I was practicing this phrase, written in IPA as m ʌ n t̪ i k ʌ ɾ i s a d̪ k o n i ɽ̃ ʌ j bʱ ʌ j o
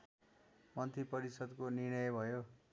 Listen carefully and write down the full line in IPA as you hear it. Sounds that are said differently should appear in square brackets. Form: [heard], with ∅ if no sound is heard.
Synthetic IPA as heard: m ʌ n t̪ i [p] ʌ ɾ i s [ʌ] d̪ k o n i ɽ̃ ʌ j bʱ ʌ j o

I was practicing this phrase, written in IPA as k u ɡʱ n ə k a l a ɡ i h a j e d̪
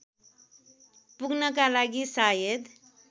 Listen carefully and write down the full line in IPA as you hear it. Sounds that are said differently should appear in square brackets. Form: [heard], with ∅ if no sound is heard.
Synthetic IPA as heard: [p] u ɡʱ n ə k a l a ɡ i [s] a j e d̪

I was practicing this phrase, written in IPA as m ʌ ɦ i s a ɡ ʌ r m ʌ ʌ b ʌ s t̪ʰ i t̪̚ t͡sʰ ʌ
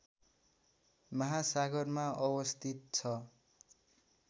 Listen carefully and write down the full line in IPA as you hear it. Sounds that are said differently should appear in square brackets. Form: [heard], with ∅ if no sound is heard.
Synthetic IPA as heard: m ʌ ɦ [a] s a ɡ ʌ r m [a] ʌ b ʌ s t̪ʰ i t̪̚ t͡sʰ ʌ

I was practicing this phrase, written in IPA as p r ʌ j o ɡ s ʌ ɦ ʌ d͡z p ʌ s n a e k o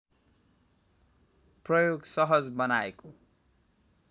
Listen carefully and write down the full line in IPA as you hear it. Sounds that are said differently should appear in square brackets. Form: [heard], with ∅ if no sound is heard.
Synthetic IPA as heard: p r ʌ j o ɡ s ʌ ɦ ʌ d͡z [b] ʌ [∅] n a e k o

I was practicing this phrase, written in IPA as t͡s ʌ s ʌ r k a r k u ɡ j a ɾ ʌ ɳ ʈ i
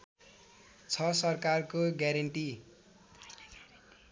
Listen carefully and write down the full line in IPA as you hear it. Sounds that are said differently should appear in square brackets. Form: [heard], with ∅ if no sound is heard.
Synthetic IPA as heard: [t͡sʰ] ʌ s ʌ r k a r k [o] ɡ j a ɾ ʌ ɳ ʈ i

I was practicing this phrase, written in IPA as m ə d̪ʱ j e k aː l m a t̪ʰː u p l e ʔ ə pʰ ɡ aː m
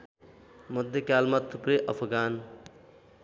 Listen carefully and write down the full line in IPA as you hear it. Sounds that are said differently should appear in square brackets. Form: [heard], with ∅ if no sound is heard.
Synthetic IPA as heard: m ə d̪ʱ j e k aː l m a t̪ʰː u p [ɾ] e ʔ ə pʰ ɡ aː [n]

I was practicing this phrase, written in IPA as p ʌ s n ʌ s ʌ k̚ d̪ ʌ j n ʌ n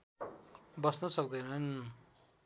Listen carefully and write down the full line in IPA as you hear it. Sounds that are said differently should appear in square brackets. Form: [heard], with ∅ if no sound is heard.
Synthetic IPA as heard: [b] ʌ s n ʌ s ʌ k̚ d̪ ʌ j n ʌ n

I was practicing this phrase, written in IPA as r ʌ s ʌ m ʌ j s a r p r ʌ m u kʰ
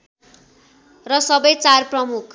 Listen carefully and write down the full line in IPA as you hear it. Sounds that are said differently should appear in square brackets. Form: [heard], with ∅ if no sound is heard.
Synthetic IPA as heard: r ʌ s ʌ [b] ʌ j [t͡s] a r p r ʌ m u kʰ

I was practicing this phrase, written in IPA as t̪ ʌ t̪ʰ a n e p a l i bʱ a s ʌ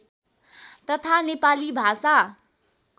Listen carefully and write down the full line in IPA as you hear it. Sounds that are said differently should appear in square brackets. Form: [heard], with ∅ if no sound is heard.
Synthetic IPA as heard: t̪ ʌ t̪ʰ a n e p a l i bʱ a s [a]

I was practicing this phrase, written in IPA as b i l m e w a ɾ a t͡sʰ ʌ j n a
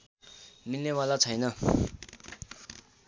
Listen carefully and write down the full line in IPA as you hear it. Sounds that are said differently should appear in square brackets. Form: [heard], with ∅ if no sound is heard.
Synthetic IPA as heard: [m] i l [n] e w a [l] a t͡sʰ ʌ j n [ʌ]

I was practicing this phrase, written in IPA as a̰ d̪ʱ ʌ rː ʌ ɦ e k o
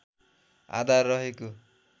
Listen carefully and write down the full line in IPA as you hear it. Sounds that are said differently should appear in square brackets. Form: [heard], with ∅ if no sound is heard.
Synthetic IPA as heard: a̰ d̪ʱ [a] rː ʌ ɦ e k o

